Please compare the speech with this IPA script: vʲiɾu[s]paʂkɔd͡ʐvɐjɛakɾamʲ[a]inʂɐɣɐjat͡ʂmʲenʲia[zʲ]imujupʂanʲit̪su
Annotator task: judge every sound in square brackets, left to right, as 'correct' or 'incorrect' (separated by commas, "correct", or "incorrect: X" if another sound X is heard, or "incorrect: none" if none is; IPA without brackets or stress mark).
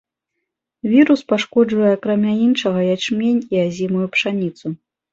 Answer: correct, correct, correct